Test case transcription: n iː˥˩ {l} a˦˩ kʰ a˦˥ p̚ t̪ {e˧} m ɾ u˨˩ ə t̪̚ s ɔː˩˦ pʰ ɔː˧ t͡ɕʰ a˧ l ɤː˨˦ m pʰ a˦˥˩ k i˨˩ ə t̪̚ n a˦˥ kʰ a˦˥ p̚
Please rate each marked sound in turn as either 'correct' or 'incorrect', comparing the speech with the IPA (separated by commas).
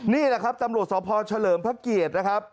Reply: correct, incorrect